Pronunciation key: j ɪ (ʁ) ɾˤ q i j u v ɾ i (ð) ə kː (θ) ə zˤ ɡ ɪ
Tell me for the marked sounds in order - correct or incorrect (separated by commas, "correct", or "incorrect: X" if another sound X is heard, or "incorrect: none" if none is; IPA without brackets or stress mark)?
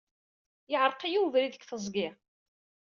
incorrect: ʕ, correct, correct